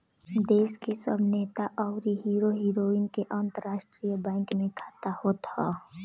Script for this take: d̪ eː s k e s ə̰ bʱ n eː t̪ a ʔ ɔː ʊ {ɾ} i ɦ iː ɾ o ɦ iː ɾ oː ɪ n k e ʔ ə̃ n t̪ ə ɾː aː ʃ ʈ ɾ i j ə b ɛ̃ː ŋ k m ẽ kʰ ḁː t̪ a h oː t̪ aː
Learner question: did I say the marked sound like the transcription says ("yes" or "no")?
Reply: yes